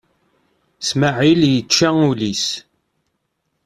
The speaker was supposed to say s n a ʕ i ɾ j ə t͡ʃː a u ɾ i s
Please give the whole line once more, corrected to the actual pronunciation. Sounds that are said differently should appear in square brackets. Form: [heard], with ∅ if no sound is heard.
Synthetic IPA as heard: s [m] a ʕ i [l] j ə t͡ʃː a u [l] i s